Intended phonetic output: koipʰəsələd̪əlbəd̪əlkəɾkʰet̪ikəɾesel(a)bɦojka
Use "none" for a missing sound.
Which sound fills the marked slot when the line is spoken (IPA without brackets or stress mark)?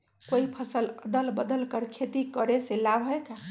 a